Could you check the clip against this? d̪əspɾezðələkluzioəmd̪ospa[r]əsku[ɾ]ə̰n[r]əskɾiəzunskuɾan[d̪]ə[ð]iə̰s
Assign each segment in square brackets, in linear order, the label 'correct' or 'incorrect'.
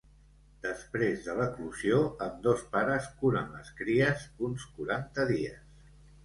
incorrect: ɾ, correct, incorrect: l, incorrect: t̪, correct

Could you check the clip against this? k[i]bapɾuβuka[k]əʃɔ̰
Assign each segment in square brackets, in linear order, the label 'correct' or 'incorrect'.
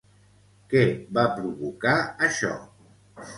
incorrect: ɛ, incorrect: none

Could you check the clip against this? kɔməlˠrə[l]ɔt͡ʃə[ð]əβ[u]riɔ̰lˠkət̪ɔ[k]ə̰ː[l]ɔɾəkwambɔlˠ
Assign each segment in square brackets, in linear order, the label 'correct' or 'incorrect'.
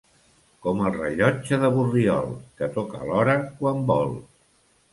incorrect: ʎ, correct, correct, correct, correct

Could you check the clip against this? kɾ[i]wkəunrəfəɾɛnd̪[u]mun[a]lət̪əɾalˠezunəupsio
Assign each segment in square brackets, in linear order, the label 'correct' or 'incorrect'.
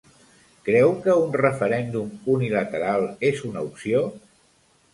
incorrect: ɛ, correct, incorrect: i

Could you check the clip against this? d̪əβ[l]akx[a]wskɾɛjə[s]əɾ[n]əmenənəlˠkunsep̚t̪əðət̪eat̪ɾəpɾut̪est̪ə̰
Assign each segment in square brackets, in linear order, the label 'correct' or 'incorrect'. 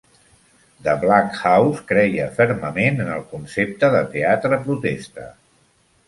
correct, correct, incorrect: f, incorrect: m

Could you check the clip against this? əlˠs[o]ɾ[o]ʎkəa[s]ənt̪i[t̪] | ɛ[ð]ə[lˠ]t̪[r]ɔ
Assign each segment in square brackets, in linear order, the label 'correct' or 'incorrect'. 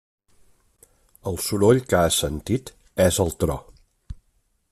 incorrect: u, correct, correct, correct, incorrect: z, correct, incorrect: ɾ

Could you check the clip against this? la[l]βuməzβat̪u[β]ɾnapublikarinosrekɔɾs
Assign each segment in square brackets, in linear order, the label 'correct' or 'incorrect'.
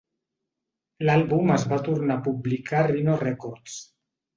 correct, incorrect: none

